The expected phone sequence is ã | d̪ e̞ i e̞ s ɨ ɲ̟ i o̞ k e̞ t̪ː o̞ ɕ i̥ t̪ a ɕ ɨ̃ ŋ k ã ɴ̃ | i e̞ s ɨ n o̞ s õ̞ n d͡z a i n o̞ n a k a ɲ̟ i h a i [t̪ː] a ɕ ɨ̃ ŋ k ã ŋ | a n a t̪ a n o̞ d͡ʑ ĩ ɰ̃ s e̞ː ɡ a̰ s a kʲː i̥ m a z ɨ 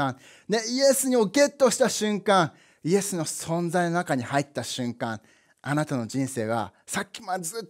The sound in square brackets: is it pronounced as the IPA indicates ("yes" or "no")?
yes